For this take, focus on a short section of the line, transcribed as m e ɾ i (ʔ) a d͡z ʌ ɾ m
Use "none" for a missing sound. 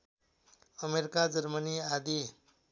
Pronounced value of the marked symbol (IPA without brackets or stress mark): k